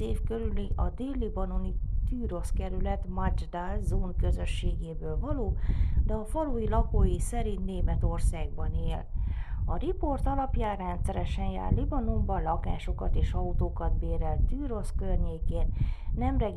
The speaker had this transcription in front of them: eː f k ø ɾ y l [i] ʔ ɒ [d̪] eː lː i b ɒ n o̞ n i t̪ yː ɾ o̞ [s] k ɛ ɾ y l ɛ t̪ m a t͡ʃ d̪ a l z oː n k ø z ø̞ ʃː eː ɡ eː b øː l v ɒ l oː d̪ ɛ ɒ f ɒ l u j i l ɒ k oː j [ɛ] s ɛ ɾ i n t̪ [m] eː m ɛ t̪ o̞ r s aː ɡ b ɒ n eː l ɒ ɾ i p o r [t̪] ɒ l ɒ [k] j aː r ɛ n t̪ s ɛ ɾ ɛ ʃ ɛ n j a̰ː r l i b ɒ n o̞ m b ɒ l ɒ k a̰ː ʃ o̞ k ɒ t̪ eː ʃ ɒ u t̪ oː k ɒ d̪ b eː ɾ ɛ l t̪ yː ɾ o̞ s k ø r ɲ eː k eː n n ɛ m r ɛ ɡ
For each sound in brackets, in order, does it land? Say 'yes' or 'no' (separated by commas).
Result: yes, yes, yes, no, no, yes, no